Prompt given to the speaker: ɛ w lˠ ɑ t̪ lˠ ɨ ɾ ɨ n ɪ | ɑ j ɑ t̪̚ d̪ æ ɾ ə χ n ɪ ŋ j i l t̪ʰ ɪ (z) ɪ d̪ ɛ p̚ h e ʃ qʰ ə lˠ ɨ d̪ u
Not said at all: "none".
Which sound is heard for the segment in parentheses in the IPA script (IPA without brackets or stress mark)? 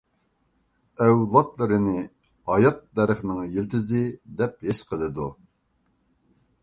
z